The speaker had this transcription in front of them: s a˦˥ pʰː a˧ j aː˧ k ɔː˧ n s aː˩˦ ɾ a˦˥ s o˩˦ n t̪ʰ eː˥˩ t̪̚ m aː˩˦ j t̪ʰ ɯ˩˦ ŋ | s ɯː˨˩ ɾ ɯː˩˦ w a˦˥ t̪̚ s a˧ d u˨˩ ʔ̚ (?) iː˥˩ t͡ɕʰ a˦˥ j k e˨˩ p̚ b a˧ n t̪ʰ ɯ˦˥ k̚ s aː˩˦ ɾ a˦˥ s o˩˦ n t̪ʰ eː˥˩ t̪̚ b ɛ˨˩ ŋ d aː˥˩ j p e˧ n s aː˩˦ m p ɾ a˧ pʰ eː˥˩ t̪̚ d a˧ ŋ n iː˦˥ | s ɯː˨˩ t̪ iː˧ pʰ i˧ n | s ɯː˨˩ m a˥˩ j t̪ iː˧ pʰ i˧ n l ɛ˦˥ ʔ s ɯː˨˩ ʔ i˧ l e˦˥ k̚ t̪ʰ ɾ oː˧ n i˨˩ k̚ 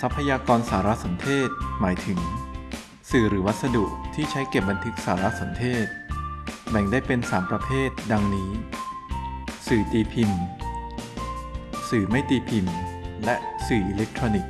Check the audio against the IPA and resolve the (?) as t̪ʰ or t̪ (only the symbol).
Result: t̪ʰ